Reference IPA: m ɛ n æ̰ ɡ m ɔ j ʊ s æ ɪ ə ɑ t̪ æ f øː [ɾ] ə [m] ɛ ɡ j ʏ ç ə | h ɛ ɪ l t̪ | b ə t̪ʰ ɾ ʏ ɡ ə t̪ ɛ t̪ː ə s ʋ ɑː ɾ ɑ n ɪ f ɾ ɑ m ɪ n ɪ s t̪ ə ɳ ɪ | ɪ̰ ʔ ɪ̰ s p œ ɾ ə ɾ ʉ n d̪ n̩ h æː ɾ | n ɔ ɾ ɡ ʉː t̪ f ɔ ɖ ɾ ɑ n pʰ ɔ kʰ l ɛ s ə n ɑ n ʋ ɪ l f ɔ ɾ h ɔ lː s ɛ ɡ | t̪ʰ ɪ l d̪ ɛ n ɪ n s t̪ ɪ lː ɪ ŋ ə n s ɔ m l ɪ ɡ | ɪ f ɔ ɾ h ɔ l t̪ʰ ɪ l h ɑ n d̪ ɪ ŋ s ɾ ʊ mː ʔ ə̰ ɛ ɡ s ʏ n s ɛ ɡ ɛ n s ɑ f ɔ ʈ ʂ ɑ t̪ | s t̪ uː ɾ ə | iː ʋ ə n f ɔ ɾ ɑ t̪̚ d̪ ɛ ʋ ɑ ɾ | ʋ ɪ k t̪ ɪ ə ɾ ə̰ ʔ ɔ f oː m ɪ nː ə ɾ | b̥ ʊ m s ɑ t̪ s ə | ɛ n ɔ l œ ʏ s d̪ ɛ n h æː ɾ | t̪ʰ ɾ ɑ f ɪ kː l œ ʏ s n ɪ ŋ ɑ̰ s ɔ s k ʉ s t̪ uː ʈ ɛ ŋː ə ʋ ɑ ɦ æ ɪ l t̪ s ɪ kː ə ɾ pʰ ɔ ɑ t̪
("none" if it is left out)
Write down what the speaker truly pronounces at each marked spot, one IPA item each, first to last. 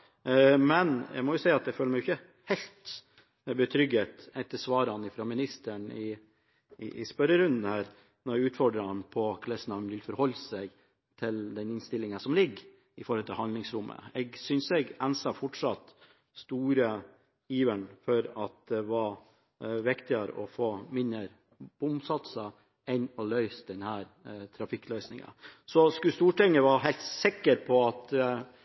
l, m

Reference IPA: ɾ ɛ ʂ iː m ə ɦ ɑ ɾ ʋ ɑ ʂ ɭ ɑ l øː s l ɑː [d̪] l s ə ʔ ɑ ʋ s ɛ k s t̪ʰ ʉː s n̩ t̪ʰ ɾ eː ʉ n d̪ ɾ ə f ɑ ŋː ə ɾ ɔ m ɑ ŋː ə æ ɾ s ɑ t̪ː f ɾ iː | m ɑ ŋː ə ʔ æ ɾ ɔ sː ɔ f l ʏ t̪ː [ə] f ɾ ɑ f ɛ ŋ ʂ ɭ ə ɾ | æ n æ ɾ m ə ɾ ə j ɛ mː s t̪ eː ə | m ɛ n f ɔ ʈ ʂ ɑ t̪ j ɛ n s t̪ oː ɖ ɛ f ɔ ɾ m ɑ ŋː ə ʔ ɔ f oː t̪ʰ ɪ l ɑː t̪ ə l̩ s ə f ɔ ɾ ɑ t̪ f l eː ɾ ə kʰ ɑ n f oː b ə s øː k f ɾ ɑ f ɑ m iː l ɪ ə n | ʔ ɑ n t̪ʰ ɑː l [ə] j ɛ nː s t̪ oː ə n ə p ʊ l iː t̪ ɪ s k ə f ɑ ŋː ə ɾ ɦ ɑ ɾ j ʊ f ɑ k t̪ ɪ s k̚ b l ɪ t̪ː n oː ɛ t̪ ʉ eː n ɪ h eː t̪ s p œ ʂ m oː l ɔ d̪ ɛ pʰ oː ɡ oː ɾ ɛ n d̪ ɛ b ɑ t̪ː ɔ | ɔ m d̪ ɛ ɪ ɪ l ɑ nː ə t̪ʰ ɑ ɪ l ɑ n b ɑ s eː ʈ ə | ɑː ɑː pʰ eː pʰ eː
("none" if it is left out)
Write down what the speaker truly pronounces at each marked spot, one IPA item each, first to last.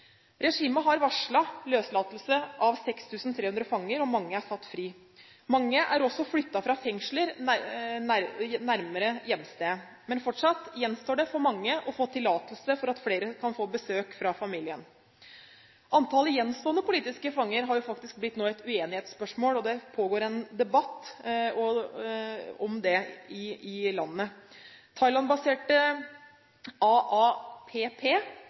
t̪, ɑ, ə

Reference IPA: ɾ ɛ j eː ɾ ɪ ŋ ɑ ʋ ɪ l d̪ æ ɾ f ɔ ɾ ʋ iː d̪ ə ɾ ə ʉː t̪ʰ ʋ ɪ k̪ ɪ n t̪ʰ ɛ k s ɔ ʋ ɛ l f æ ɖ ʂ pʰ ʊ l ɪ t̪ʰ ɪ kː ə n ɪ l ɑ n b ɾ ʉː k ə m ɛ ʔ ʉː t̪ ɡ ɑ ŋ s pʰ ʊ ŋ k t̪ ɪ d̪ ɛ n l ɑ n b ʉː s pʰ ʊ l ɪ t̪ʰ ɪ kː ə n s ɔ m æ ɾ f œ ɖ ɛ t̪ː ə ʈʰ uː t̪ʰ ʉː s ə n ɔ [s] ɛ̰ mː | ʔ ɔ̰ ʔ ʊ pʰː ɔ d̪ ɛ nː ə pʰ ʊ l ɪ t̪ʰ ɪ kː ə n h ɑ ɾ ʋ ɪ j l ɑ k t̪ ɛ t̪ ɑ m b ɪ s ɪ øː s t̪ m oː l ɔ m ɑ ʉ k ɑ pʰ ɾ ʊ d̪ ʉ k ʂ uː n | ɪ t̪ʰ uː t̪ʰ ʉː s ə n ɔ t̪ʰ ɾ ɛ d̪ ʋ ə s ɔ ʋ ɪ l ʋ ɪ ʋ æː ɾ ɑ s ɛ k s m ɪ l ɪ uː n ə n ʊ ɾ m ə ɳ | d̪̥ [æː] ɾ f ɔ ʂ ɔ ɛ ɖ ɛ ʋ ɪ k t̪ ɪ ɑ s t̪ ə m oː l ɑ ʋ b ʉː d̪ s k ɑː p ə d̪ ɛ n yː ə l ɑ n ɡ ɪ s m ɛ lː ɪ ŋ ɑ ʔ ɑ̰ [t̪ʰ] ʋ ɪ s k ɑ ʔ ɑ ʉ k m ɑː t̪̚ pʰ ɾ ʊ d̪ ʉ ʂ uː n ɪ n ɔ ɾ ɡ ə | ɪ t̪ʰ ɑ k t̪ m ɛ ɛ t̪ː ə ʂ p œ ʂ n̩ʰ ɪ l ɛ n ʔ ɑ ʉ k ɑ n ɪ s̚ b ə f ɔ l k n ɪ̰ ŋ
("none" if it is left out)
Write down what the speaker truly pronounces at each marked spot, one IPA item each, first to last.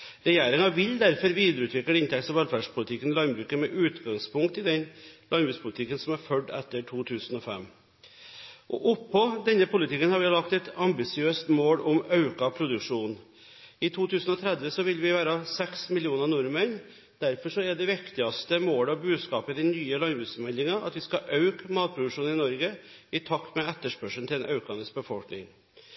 f, æ, t̪

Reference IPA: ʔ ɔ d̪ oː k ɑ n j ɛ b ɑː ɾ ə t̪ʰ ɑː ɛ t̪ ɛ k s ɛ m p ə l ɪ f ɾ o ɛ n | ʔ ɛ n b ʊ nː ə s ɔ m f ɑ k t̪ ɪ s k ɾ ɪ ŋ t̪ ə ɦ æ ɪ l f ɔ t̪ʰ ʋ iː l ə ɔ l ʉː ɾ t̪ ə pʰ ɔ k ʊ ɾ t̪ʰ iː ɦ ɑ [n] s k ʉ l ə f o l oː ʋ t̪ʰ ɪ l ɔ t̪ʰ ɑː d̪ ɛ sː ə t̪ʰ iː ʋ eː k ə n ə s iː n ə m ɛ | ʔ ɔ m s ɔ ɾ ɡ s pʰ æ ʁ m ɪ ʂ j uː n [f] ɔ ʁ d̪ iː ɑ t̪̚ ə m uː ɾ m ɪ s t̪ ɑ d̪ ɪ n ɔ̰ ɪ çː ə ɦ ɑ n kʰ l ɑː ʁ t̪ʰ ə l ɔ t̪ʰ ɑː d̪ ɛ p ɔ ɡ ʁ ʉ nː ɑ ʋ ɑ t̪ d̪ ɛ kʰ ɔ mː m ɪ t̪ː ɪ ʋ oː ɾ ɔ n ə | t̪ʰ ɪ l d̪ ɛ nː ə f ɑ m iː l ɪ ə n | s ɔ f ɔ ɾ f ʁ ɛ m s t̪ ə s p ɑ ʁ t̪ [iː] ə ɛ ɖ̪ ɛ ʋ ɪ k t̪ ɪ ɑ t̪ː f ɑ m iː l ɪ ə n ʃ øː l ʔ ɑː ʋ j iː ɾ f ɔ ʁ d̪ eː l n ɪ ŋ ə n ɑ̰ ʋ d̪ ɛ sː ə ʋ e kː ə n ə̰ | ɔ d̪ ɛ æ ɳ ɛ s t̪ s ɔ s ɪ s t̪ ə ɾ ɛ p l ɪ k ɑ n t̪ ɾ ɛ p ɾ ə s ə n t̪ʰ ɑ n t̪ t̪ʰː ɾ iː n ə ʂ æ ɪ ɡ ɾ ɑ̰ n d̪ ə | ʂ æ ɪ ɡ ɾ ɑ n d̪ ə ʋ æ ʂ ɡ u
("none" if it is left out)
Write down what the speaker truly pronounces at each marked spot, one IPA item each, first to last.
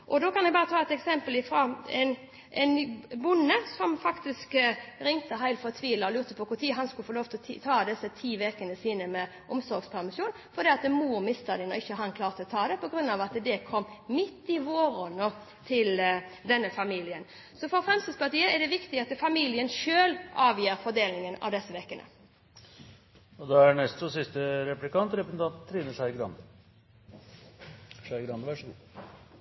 n, f, iː

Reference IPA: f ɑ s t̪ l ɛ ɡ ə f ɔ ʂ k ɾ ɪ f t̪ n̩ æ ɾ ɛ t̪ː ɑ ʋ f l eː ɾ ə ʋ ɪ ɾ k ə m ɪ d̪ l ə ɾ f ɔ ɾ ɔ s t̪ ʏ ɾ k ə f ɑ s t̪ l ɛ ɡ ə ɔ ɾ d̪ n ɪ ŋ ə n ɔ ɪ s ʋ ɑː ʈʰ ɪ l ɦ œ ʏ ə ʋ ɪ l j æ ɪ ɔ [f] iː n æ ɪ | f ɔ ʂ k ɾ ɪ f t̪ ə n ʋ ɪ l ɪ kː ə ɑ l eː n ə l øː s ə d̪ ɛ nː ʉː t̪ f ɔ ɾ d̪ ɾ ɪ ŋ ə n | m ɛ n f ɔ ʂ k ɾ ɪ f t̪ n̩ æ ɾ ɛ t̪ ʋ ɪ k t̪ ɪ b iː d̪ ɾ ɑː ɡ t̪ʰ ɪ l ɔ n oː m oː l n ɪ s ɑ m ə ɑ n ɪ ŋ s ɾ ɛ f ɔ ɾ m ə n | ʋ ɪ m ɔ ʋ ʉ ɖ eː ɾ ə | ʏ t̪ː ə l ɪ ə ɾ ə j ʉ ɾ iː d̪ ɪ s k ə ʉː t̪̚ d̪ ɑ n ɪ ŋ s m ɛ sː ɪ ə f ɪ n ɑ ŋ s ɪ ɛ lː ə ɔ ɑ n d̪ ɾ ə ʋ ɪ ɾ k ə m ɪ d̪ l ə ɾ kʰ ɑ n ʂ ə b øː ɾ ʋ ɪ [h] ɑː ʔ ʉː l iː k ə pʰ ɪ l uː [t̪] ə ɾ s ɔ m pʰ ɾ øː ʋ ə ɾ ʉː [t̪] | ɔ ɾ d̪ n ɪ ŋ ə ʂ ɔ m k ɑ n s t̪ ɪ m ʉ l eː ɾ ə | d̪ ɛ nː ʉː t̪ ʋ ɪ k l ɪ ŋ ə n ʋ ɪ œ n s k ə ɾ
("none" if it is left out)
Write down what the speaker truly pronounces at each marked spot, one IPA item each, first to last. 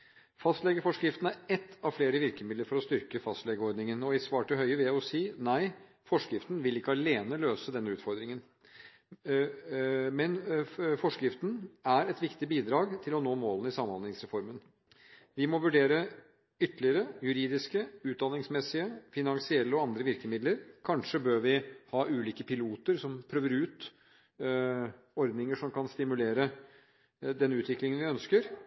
s, h, t̪, t̪

